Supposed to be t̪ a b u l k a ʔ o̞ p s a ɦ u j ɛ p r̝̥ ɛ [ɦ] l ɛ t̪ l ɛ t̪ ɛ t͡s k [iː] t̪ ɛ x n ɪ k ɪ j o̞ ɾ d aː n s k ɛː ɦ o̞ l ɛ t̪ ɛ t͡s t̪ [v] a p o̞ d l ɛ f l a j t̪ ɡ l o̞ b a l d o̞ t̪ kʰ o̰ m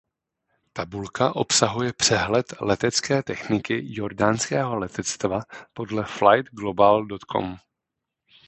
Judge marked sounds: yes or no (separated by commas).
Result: yes, no, yes